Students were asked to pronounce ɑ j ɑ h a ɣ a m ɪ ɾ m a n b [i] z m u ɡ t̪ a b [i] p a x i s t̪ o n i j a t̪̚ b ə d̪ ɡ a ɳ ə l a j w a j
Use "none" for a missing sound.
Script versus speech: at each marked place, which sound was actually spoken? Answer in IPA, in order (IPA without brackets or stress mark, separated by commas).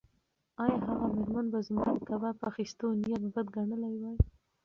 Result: a, a